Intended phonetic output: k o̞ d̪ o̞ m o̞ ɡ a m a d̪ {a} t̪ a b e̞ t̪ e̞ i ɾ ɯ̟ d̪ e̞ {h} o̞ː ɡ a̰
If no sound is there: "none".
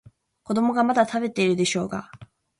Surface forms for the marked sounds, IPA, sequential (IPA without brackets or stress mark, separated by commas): a, ɕ